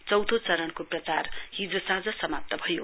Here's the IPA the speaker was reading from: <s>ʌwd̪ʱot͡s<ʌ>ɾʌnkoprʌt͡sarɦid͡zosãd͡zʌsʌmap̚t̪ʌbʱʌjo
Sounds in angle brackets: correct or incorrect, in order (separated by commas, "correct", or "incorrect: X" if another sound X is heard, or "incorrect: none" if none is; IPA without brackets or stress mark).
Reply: incorrect: t͡s, correct